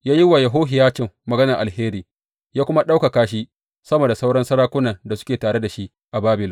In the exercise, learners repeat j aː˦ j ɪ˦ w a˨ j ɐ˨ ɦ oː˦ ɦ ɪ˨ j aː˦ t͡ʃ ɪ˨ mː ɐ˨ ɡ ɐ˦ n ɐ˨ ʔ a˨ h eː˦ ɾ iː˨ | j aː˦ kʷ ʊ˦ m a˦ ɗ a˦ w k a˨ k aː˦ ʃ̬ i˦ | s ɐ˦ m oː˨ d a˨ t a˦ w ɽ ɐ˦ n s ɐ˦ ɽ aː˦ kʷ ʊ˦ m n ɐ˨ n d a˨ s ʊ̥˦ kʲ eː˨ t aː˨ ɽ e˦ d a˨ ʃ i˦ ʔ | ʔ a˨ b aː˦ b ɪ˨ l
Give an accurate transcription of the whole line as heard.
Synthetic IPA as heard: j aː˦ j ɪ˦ w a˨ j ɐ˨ ɦ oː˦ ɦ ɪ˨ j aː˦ t͡ʃ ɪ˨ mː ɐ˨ ɡ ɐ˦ n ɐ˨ ʔ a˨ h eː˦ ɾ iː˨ | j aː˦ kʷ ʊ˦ m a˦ ɗ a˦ w k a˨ k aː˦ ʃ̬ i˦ | s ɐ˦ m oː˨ d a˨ s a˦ w ɽ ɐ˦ n s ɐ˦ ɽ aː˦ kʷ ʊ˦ n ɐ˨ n d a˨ s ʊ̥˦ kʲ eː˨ t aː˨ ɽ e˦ d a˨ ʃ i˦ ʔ | ʔ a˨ b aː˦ b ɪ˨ l

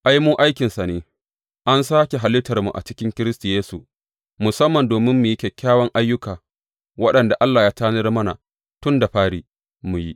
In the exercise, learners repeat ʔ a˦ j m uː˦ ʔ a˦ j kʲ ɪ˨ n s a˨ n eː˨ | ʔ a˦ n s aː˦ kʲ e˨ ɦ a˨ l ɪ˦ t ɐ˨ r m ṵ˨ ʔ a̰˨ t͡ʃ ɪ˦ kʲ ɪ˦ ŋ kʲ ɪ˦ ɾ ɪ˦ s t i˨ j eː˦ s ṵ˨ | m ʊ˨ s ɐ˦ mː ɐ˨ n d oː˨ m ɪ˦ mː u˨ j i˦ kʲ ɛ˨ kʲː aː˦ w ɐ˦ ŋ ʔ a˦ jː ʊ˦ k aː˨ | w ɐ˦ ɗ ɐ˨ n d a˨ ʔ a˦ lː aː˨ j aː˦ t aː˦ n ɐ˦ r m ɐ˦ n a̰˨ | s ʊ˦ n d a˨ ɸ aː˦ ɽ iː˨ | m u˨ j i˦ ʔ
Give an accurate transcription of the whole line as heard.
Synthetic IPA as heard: ʔ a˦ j m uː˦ ʔ a˦ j kʲ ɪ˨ n s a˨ n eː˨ | ʔ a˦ n s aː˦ kʲ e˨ ɦ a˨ l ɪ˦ t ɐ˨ r m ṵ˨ ʔ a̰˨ t͡ʃ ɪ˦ kʲ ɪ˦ ŋ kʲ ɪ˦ ɾ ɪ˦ s t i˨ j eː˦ s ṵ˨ | m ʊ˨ s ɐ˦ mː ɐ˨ n d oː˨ m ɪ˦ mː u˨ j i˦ kʲ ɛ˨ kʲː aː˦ w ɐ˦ ŋ ʔ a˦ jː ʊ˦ k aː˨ | w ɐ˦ ɗ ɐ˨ n d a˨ ʔ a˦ lː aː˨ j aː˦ t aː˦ n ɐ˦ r m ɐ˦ n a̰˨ | t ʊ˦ n d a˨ ɸ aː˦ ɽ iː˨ | m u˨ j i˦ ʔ

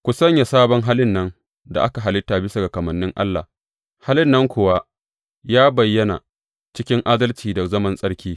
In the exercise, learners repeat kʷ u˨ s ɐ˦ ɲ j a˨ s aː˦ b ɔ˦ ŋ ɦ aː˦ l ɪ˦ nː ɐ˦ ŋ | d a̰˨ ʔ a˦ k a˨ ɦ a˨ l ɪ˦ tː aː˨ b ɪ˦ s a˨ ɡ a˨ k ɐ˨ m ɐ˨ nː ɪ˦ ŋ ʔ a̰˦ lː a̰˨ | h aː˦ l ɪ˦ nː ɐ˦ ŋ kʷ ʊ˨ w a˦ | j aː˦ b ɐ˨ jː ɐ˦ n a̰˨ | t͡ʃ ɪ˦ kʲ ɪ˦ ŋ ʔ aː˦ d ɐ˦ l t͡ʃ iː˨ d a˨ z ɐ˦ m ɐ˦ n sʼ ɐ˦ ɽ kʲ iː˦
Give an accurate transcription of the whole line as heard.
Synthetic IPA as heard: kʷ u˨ s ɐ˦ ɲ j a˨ s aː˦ b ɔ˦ ŋ ɦ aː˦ l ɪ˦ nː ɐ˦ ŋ | d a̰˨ ʔ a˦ k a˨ ɦ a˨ l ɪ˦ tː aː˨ b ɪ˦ s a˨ ɡ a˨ k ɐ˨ m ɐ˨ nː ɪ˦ ŋ ʔ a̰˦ lː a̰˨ | h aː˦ l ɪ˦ nː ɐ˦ ŋ kʷ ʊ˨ w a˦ | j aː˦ b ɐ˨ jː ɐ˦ n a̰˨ | t͡ʃ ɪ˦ kʲ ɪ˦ ŋ ʔ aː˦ d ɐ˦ l t͡ʃ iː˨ d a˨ z ɐ˦ m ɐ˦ n sʼ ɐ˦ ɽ kʲ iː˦

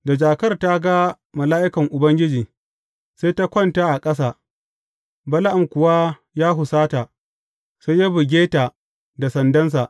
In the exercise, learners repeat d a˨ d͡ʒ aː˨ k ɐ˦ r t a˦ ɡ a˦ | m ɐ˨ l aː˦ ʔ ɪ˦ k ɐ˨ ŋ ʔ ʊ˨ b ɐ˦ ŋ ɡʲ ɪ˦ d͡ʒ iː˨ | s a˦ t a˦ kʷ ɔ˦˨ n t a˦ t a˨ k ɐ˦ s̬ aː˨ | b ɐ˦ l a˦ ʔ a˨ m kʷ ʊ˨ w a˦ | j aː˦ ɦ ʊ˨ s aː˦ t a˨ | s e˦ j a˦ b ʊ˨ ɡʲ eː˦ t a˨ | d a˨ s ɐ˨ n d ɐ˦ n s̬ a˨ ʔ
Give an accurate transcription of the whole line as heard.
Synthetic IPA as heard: d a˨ d͡ʒ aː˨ k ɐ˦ r t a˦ ɡ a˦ | m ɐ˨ l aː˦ ʔ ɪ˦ k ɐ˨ ŋ ʔ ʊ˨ b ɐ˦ ŋ ɡʲ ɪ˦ d͡ʒ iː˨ | s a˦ t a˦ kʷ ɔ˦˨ n t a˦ ʔ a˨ kʼ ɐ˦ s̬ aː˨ | b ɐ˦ l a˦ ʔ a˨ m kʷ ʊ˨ w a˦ | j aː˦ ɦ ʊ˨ s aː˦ t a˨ | s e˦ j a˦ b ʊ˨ ɡʲ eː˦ t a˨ | d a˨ s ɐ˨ n d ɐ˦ n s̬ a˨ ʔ

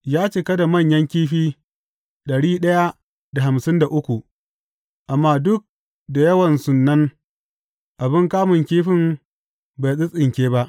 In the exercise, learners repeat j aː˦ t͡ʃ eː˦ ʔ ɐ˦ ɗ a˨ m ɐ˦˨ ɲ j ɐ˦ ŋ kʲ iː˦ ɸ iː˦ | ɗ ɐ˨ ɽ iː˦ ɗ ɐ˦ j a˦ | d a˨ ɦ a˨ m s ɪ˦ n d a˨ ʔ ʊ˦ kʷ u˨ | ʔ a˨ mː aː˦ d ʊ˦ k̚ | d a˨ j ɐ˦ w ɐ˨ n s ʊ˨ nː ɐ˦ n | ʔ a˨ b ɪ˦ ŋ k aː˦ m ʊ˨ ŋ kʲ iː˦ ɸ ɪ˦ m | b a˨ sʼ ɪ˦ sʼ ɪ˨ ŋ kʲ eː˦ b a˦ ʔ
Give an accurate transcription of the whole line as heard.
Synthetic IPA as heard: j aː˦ t͡ʃ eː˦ k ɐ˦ d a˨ m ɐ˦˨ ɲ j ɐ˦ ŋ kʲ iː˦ ɸ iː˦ | ɗ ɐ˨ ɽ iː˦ ɗ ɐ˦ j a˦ | d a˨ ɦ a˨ m s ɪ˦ n d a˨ ʔ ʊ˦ kʷ u˨ | ʔ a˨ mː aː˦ d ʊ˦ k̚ | d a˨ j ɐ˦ w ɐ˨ n s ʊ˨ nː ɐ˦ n | ʔ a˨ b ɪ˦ ŋ k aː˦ m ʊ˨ ŋ kʲ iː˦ ɸ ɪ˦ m | b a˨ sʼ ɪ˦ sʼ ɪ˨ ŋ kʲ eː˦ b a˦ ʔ

